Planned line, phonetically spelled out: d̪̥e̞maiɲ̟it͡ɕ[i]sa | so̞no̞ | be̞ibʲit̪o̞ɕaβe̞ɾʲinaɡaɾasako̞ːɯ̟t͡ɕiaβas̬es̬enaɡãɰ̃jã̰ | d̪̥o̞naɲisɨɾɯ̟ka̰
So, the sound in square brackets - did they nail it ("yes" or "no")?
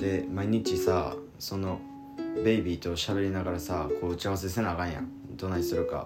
yes